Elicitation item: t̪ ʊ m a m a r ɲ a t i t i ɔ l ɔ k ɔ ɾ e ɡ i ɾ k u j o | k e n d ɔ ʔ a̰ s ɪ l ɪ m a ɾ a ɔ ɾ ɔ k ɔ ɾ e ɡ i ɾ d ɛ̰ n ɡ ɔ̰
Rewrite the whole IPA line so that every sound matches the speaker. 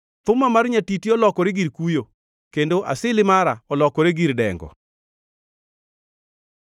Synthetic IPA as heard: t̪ ʊ m a m a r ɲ a t i t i ɔ l ɔ k ɔ ɾ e ɡ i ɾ k u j o | k e n d o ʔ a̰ s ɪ l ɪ m a ɾ a ɔ l ɔ k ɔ ɾ e ɡ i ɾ d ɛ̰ ŋ ɡ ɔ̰